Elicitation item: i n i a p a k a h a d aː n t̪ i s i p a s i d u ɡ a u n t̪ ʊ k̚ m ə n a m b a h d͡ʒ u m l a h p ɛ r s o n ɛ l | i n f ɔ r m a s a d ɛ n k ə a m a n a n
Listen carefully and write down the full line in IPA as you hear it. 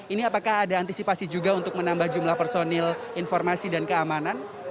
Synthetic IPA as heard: i n i a p a k a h a d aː n t̪ i s i p a s i d͡ʒ u ɡ a u n t̪ ʊ k̚ m ə n a m b a h d͡ʒ u m l a h p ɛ r s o n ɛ l | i n f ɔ r m a s i d a n k ə a m a n a n